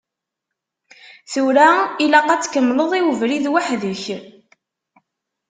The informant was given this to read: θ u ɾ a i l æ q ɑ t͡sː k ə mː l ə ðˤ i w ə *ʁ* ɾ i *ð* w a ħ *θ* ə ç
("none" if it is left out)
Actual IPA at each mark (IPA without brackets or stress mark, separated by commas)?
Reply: v, ð, ð